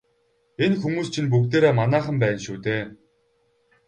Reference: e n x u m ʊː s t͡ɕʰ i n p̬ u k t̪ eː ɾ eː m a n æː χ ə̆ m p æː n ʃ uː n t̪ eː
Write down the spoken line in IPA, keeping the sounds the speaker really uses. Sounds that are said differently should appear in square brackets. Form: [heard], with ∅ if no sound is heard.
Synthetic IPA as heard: e n x u m [uː] s t͡ɕʰ i n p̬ u k t̪ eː ɾ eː m a n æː χ ə̆ m p æː n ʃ uː [∅] t̪ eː